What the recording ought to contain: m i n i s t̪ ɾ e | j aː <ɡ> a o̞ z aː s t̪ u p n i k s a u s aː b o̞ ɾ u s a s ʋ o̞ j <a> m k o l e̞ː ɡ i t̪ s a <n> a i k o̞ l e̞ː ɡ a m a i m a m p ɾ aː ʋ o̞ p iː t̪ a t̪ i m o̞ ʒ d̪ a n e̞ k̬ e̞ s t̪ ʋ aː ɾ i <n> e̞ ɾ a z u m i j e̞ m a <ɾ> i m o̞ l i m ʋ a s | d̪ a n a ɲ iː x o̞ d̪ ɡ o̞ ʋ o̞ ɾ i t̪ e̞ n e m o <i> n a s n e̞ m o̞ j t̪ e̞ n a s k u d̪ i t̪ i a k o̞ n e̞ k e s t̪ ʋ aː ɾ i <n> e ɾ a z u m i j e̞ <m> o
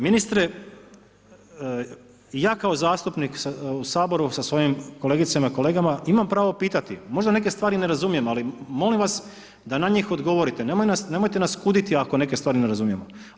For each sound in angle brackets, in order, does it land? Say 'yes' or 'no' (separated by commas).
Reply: no, no, no, yes, no, no, yes, yes